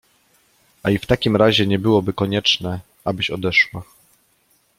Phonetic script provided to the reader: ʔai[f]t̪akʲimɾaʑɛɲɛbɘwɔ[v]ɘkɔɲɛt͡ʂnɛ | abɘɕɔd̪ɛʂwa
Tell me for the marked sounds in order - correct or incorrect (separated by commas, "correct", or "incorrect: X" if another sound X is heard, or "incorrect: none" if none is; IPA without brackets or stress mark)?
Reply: correct, incorrect: b